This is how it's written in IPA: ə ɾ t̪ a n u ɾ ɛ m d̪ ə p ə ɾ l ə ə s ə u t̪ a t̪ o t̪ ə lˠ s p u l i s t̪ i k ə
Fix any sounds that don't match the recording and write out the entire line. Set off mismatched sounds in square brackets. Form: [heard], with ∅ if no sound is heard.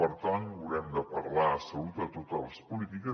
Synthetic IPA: ə ɾ t̪ a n u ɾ ɛ m d̪ ə p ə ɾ l [a] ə s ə u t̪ [ə] t̪ o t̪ ə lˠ s p u l i [∅] t̪ i k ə